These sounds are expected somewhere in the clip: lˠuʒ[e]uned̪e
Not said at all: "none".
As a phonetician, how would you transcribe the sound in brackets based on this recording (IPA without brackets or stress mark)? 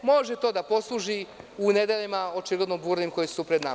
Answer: i